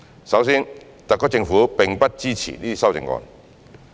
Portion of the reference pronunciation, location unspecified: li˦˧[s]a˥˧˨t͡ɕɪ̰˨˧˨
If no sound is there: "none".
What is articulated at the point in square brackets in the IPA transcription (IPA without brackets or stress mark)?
s